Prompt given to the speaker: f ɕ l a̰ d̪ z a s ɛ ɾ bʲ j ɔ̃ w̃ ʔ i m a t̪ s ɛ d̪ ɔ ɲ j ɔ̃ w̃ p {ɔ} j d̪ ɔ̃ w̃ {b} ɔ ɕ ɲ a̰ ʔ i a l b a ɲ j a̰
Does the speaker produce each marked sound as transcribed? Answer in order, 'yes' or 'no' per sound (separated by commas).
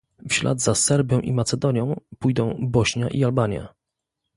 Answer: no, yes